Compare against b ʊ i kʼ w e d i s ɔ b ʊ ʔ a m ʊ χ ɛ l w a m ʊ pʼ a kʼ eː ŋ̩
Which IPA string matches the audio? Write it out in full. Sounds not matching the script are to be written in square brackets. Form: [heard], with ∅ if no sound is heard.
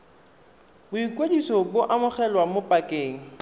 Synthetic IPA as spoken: b ʊ i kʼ w e d i s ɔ b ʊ ʔ a m ʊ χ ɛ l w a m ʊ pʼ a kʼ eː ŋ̩